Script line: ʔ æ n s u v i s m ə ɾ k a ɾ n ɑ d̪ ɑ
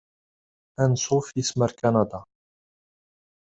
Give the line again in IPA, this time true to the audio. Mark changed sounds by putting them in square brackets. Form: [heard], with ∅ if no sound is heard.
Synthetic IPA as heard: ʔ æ n s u [f] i s m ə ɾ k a [∅] n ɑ d̪ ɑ